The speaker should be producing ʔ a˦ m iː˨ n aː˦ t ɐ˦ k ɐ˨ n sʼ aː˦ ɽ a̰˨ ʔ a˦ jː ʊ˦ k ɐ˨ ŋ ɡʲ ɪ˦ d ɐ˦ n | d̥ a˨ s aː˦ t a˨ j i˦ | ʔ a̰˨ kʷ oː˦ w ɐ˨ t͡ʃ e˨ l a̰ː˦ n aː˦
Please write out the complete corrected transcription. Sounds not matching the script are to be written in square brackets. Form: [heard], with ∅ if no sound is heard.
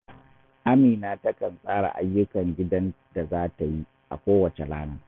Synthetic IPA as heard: ʔ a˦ m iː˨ n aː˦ t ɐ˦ k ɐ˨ n sʼ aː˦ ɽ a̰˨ ʔ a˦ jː ʊ˦ k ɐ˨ ŋ ɡʲ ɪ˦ d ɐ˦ n | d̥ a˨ [z] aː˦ t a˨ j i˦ | ʔ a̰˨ kʷ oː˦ w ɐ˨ t͡ʃ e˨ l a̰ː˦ n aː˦